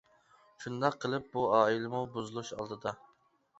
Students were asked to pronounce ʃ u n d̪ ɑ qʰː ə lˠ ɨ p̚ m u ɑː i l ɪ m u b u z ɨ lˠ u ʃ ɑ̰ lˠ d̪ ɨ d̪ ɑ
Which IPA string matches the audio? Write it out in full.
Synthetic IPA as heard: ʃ u n d̪ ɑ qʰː ə lˠ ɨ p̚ b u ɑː i l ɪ m u b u z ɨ lˠ u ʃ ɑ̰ lˠ d̪ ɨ d̪ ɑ

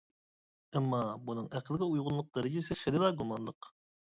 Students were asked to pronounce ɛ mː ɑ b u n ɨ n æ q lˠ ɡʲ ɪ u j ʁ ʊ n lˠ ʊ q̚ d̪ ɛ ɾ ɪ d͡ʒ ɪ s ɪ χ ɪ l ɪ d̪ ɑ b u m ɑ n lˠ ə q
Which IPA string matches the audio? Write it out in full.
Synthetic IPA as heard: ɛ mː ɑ b u n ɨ ŋ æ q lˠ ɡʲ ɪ u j ʁ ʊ n lˠ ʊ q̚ d̪ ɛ ɾ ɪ d͡ʒ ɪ s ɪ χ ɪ l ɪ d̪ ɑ ɡ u m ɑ n lˠ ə q

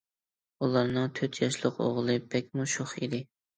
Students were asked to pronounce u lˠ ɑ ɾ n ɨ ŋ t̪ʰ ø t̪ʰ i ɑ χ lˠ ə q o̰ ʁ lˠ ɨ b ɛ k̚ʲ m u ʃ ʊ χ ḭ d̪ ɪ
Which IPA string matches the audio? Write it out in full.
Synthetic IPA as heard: u lˠ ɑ ɾ n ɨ ŋ t̪ʰ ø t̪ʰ j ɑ ʃ lˠ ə q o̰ ʁ lˠ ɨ b ɛ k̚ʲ m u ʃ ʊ χ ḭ d̪ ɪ

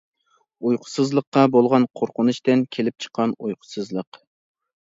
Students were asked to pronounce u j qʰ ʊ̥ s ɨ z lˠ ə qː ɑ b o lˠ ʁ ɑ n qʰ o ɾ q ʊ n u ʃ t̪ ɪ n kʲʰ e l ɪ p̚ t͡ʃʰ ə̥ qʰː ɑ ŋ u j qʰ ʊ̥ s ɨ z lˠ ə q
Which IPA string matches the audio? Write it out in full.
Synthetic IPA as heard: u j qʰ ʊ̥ s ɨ z lˠ ə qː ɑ b o lˠ ʁ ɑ n qʰ o ɾ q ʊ n u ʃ t̪ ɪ n kʲʰ e l ɪ p̚ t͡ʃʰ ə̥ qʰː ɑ n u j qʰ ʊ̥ s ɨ z lˠ ə q

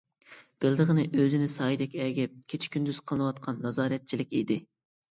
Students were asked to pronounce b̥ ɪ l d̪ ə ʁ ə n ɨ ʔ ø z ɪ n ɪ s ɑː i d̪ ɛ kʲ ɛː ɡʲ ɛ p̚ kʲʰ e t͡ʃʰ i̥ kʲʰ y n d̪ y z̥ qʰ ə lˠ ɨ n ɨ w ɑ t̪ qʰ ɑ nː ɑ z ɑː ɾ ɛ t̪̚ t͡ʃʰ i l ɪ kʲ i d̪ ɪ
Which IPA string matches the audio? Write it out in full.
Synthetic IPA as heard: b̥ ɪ l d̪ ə ʁ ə n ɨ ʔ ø z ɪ n ɪ s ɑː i d̪ ɛ kʲ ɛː ɡʲ ɛ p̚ kʲʰ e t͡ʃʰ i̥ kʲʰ y n d̪ y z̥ qʰ ə lˠ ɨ n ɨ w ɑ t̪ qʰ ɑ nː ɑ z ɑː ɾ ɛ t̪̚ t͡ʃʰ i l ɪ kʲ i d̪ ɪ

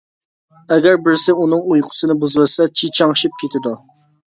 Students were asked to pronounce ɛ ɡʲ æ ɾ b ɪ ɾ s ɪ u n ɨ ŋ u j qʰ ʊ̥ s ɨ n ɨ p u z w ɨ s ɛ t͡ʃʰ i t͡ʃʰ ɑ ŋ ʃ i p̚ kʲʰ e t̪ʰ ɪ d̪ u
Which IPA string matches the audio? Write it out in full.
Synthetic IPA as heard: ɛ ɡʲ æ ɾ b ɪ ɾ s ɪ u n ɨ ŋ u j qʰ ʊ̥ s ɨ n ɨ b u z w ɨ s ɛ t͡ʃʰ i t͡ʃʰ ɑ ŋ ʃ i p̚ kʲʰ e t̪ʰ ɪ d̪ u

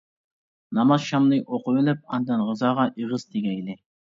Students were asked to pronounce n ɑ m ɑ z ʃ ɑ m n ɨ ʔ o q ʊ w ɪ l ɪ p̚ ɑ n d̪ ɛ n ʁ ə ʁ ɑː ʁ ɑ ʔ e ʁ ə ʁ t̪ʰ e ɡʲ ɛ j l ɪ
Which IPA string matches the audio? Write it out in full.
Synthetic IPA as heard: n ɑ m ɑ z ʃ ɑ m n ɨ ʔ o q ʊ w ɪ l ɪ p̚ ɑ n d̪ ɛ n ʁ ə z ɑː ʁ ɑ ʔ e ʁ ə z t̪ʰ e ɡʲ ɛ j l ɪ

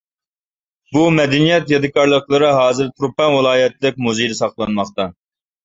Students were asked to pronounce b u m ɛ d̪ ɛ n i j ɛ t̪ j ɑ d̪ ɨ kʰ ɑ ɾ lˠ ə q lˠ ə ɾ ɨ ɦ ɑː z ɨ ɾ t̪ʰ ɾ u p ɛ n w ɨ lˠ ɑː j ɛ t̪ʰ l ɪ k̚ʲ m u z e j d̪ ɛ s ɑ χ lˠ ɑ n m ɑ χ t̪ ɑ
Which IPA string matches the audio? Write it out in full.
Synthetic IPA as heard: b u m ɛ d̪ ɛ n i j ɛ t̪ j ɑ d̪ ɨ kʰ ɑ ɾ lˠ ə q lˠ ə ɾ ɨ ɦ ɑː z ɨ ɾ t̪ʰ ɾ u p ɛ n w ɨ lˠ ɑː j ɛ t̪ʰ l ɪ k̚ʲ m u z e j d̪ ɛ s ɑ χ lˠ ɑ n m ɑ χ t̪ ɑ

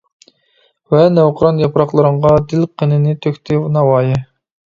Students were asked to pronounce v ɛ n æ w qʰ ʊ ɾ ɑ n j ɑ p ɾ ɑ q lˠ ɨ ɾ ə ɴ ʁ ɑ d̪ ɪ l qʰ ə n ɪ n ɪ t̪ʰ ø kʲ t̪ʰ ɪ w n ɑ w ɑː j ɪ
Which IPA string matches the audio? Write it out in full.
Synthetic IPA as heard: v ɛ n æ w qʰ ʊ ɾ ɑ n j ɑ p ɾ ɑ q lˠ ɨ ɾ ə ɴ ʁ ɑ d̪ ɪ l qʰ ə n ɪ n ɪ t̪ʰ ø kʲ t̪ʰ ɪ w n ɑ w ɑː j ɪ

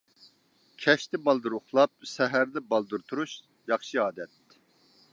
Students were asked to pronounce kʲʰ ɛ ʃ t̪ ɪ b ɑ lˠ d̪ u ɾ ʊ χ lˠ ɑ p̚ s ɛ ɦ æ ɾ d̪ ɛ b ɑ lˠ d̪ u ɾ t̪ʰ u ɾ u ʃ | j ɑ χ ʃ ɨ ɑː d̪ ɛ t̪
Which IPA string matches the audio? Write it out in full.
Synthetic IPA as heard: kʲʰ ɛ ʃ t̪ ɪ b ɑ lˠ d̪ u ɾ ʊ χ lˠ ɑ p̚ s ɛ ɦ æ ɾ d̪ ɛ b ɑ lˠ d̪ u ɾ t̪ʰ u ɾ u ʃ | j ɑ χ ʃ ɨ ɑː d̪ ɛ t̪

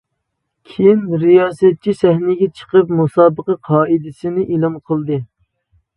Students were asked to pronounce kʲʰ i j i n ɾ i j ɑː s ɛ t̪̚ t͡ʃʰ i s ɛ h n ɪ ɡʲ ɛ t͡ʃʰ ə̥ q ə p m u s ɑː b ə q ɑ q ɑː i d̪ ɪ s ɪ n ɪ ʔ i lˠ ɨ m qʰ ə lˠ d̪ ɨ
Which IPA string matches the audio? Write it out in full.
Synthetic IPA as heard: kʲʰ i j i n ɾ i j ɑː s ɛ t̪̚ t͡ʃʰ i s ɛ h n ɪ ɡʲ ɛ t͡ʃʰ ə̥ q ə p m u s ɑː b ə q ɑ qʰ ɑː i d̪ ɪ s ɪ n ɪ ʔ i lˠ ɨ m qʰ ə lˠ d̪ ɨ

